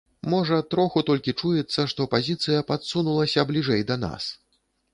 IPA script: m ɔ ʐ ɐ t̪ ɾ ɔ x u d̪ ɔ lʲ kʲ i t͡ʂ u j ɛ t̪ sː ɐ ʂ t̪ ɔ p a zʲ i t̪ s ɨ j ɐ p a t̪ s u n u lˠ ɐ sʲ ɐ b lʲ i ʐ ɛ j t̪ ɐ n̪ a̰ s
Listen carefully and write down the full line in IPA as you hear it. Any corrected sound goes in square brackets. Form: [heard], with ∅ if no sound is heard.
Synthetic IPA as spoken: m ɔ ʐ ɐ t̪ ɾ ɔ x u [t̪] ɔ lʲ kʲ i t͡ʂ u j ɛ t̪ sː ɐ ʂ t̪ ɔ p a zʲ i t̪ s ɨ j ɐ p a t̪ s u n u lˠ ɐ sʲ ɐ b lʲ i ʐ ɛ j [d̪] ɐ n̪ a̰ s